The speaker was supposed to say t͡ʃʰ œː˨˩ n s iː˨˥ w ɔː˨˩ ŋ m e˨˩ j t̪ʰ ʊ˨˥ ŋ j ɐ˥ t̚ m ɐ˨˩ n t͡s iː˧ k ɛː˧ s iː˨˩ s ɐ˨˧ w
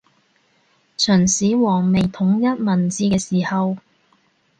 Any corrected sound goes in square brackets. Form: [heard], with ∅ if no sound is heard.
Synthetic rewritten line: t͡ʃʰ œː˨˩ n s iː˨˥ w ɔː˨˩ ŋ m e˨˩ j t̪ʰ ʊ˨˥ ŋ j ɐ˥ t̚ m ɐ˨˩ n t͡s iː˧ k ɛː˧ s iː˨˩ [h] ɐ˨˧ w